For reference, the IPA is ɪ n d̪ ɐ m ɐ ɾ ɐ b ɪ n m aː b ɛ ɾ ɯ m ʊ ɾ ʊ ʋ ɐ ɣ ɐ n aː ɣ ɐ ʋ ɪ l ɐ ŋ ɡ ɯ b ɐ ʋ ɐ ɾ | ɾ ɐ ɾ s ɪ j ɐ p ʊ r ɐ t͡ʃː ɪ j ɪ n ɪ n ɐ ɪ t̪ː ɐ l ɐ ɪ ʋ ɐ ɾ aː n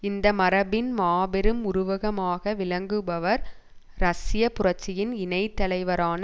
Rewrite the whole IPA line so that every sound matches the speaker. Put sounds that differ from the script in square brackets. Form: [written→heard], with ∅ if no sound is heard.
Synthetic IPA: ɪ n d̪ ɐ m ɐ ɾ ɐ b ɪ n m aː b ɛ ɾ ɯ m ʊ ɾ ʊ ʋ ɐ ɣ ɐ [n→m] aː ɣ ɐ ʋ ɪ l ɐ ŋ ɡ ɯ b ɐ ʋ ɐ ɾ | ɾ ɐ [ɾ→∅] s ɪ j ɐ p ʊ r ɐ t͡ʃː ɪ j ɪ n ɪ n ɐ ɪ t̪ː ɐ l ɐ ɪ ʋ ɐ ɾ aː n